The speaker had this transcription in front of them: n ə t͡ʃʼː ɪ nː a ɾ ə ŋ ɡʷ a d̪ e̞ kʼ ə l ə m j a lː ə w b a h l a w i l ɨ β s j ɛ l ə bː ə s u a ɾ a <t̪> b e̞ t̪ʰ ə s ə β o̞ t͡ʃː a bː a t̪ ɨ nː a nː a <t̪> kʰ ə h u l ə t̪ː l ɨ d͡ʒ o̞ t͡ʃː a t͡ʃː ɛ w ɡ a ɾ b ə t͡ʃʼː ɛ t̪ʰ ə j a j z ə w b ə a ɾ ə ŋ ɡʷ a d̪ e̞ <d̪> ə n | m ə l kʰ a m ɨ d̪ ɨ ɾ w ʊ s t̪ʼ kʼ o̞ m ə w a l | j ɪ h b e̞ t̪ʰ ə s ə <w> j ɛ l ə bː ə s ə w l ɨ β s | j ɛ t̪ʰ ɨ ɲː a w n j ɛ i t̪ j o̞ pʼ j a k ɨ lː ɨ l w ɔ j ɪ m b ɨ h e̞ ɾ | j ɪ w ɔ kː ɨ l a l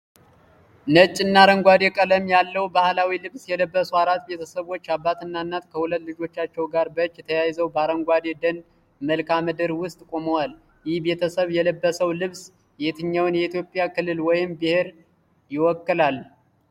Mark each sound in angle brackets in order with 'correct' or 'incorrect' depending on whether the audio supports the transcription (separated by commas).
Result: correct, correct, correct, incorrect